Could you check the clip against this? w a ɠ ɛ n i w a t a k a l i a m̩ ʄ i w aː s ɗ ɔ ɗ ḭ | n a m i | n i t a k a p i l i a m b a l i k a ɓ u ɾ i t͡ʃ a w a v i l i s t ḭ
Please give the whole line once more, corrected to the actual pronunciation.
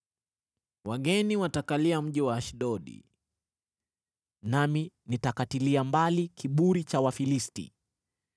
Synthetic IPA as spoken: w a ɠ ɛ n i w a t a k a l i a m̩ ʄ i w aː ʃ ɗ ɔ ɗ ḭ | n a m i | n i t a k a t i l i a m b a l i k i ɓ u ɾ i t͡ʃ a w a f i l i s t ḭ